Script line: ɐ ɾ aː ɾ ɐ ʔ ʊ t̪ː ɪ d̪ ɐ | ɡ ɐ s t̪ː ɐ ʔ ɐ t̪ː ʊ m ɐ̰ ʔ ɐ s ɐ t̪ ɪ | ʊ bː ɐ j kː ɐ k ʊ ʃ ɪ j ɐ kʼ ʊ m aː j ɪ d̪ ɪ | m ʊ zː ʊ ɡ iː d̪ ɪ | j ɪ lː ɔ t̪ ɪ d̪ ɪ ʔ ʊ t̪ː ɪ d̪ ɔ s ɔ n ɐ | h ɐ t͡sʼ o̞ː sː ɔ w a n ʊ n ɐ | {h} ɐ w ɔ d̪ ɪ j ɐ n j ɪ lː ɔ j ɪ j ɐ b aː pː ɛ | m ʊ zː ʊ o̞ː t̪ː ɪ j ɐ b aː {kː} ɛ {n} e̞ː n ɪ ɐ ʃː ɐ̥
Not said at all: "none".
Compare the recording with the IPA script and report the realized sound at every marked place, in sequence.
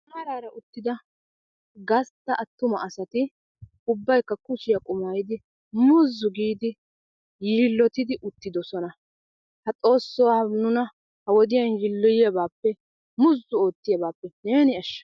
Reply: h, pː, n

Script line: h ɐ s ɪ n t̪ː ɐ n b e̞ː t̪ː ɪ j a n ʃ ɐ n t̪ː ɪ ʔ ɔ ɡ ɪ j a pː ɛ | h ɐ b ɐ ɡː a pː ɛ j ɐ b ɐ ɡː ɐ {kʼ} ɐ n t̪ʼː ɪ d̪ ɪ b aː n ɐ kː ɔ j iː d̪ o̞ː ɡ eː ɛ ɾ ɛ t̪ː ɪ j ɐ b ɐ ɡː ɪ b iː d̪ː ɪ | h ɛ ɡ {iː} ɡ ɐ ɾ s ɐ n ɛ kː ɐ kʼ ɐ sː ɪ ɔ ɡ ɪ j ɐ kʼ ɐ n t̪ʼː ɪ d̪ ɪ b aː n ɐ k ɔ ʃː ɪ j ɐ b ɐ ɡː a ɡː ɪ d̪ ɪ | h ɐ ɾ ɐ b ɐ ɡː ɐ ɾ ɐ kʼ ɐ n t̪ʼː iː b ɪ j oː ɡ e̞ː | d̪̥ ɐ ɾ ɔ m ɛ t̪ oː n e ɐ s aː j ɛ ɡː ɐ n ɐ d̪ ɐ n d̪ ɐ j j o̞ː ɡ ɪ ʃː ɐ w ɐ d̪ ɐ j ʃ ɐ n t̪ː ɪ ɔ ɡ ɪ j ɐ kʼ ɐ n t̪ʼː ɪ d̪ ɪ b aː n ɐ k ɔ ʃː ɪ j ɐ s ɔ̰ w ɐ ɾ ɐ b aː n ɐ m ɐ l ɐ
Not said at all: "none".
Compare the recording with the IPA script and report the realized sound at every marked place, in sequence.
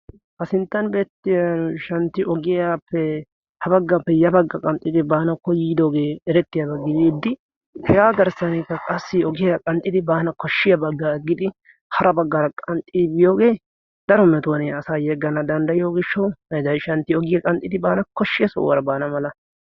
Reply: kʼ, aː

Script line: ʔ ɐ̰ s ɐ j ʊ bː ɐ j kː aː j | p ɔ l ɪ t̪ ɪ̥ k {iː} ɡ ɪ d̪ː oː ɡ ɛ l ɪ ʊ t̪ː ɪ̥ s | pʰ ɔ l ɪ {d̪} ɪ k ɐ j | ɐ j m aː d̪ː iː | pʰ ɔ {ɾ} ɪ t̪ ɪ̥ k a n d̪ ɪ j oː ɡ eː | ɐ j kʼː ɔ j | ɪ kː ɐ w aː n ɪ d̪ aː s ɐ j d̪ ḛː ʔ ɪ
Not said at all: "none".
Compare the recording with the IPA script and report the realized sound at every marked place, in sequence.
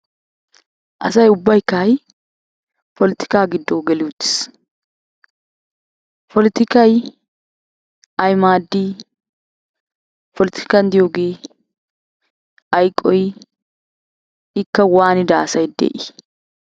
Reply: aː, t̪, l

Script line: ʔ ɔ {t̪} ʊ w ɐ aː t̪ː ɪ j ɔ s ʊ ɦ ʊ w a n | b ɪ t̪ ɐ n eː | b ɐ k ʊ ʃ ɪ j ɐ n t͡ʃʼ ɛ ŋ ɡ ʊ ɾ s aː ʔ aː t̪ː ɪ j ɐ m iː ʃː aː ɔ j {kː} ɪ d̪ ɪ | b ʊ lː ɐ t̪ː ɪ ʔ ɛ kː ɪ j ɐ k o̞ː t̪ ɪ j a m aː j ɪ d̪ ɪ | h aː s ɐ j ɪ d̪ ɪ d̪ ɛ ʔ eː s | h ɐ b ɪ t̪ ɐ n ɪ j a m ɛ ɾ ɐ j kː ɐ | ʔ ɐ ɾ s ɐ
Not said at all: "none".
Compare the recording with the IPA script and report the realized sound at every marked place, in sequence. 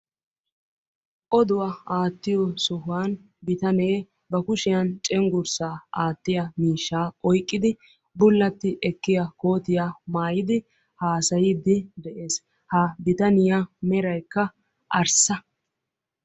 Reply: d̪, kʼː

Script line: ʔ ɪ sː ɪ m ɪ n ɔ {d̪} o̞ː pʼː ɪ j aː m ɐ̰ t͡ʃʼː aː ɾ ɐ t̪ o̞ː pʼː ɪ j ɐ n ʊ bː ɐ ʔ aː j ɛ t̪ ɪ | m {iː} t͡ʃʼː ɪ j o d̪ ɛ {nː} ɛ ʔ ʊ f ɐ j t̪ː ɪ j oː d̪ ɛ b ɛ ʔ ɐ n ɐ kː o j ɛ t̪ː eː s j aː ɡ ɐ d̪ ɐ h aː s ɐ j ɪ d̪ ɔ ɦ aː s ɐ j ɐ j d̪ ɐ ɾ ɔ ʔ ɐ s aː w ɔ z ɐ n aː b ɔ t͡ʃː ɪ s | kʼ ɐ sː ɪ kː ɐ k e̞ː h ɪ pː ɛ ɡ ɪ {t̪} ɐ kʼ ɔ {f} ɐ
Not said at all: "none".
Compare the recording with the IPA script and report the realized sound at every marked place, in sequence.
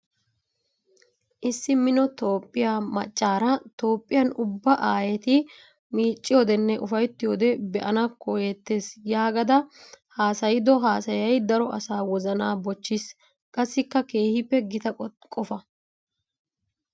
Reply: t̪, iː, nː, t̪, f

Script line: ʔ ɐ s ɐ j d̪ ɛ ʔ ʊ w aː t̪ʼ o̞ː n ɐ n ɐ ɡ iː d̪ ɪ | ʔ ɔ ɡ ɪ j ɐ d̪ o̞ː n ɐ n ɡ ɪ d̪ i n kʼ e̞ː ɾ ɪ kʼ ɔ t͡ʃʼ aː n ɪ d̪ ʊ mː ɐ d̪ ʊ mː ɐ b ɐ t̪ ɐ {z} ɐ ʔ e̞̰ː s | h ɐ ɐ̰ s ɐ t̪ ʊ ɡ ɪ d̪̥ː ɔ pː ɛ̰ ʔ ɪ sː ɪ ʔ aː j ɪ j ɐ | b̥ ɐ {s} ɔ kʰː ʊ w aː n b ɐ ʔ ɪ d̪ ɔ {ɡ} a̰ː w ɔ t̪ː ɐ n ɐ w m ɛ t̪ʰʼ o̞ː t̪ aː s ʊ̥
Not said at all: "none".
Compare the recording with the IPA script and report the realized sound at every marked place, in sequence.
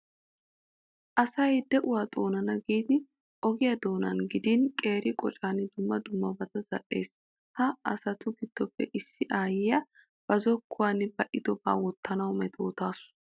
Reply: z, z, b

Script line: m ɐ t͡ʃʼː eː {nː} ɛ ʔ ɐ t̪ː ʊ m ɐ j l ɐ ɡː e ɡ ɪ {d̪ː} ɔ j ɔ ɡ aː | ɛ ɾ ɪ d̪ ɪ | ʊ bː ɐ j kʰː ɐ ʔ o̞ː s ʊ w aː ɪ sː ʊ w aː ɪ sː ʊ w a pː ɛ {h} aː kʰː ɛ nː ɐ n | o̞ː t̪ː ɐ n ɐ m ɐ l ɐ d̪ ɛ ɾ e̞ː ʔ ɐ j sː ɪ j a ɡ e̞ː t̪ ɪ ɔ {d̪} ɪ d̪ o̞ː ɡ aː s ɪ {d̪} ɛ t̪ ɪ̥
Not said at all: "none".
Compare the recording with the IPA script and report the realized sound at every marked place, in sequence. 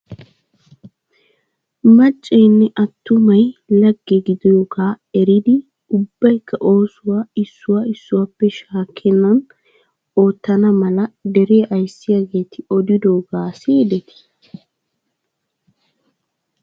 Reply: nː, d̪, ʃ, d̪, d̪

